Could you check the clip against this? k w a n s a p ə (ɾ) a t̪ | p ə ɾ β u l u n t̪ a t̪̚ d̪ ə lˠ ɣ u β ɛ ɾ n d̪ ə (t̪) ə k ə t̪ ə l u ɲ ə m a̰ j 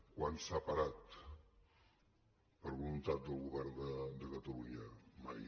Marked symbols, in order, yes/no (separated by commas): yes, no